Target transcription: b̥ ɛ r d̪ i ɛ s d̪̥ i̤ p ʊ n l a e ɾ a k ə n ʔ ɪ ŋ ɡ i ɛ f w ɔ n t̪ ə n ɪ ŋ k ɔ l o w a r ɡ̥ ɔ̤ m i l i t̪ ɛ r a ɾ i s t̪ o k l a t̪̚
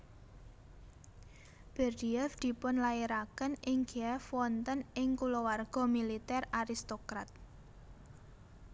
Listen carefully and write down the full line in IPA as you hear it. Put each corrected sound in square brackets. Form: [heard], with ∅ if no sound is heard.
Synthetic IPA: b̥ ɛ r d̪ i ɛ [f] d̪̥ i̤ p ʊ n l a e ɾ a k ə n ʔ ɪ ŋ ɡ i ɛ f w ɔ n t̪ ə n ɪ ŋ k [u] l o w a r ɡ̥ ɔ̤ m i l i t̪ ɛ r a ɾ i s t̪ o k [ɾ] a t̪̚

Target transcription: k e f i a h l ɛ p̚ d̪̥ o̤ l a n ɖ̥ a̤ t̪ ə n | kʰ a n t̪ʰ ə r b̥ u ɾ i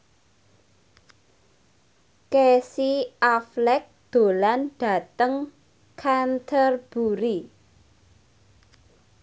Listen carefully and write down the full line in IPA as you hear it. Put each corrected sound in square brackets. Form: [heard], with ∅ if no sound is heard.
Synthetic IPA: k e [s] i a [f] l ɛ [k̚] d̪̥ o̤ l a n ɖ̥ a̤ t̪ ə [ŋ] | kʰ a n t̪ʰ ə r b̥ u ɾ i

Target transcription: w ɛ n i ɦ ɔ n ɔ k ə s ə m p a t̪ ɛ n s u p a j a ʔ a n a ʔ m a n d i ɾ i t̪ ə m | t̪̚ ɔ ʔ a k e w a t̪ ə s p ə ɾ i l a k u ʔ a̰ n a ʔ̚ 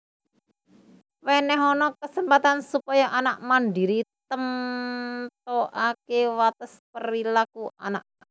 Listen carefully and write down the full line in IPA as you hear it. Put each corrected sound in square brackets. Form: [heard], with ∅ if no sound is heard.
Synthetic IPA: w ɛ n [ɛ] ɦ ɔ n ɔ k ə s ə m p a t̪ [a] n s u p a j a ʔ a n a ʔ m a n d i ɾ i t̪ ə m | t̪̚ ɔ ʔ a k e w a t̪ ə s p ə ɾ i l a k u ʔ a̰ n a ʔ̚

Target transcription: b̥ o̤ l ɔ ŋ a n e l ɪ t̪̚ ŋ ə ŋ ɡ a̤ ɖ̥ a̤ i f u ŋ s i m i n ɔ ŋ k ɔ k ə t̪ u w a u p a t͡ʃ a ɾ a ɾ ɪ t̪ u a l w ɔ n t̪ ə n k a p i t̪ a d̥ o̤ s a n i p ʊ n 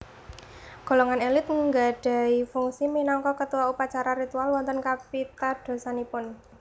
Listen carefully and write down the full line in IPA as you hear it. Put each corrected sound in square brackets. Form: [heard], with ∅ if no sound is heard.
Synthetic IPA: [ɡ̥] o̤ l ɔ ŋ a n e l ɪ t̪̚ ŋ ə ŋ ɡ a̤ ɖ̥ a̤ i f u ŋ s i m i n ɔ ŋ k ɔ k ə t̪ u w a u p a t͡ʃ a ɾ a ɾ [i] t̪ u a l w ɔ n t̪ ə n k a p i t̪ a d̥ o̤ s a n i p ʊ n

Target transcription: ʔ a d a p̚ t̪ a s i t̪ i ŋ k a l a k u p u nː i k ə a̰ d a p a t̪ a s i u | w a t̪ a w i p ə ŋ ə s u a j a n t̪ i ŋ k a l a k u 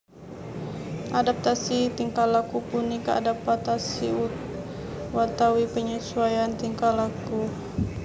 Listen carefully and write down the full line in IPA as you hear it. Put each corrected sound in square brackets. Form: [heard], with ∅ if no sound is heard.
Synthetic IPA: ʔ a d a p̚ t̪ a s i t̪ i ŋ k a l a k u p u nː i k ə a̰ d a p a t̪ a s i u | w a t̪ a w i p ə [ɲ] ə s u a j a n t̪ i ŋ k a l a k u

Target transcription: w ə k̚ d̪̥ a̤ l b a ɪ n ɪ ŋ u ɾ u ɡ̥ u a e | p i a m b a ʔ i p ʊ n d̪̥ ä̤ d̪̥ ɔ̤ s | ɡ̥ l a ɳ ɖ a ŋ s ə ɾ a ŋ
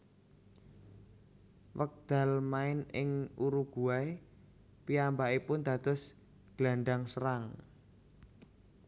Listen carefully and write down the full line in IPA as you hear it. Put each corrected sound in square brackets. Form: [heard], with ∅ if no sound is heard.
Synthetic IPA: w ə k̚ d̪̥ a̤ l [m] a ɪ n ɪ ŋ u ɾ u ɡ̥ u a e | p i a m b a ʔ i p ʊ n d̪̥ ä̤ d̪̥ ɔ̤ s | ɡ̥ l a ɳ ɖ a ŋ s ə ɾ a ŋ

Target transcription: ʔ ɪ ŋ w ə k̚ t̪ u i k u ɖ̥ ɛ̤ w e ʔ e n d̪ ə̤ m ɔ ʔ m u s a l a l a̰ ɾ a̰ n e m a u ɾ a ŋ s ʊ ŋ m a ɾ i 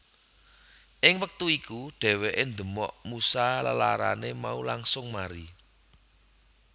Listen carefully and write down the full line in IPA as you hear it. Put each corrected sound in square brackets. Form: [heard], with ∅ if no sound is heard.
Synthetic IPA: ʔ ɪ ŋ w ə k̚ t̪ u i k u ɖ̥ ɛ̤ w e ʔ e n d̪ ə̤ m ɔ ʔ m u s a l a l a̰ ɾ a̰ n e m a u [l] a ŋ s ʊ ŋ m a ɾ i

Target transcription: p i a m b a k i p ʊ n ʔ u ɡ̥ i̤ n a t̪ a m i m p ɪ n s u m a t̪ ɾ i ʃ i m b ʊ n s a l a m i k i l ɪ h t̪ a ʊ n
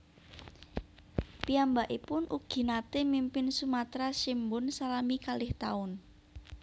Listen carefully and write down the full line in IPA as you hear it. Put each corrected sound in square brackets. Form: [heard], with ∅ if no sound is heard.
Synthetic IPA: p i a m b a [ʔ] i p ʊ n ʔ u ɡ̥ i̤ n a t̪ [e] m i m p ɪ n s u m a t̪ ɾ [a] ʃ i m b ʊ n s a l a m i k [a] l ɪ h t̪ a ʊ n

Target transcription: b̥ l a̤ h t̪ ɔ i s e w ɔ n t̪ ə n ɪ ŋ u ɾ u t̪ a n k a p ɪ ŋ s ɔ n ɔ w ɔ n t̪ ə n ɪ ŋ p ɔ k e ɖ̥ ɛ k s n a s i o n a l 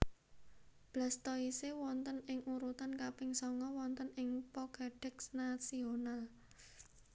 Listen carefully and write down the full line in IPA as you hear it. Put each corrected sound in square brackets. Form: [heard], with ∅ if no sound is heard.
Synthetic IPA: b̥ l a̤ [s] t̪ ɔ i s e w ɔ n t̪ ə n ɪ ŋ u ɾ u t̪ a n k a p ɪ ŋ s ɔ [ŋ] ɔ w ɔ n t̪ ə n ɪ ŋ p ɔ k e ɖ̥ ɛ k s n a s i o n a l

